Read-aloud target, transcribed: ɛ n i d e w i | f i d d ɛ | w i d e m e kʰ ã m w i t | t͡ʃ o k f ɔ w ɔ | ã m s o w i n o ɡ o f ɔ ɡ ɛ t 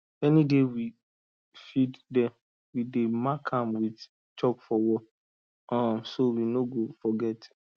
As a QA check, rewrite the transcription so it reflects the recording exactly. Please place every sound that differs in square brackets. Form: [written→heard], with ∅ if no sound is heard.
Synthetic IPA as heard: ɛ n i d e w i | f i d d ɛ | w i d e m [e→a] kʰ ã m w i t | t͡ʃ [o→ɔ] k f ɔ w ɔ | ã m s o w i n o ɡ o f ɔ ɡ ɛ t